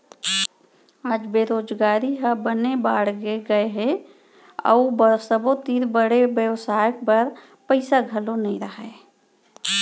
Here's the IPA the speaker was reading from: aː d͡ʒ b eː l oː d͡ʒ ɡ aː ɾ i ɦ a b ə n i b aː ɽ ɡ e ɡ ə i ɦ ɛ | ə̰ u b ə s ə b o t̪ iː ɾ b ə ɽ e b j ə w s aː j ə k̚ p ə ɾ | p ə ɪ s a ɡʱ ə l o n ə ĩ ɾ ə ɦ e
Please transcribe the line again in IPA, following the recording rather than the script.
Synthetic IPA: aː d͡ʒ b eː ɾ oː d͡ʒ ɡ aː ɾ i ɦ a b ə n e b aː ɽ ɡ e ɡ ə e ɦ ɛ | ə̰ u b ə s ə b o t̪ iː ɾ b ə ɽ e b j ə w s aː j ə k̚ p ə ɾ | p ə ɪ s a ɡʱ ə l o n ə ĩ ɾ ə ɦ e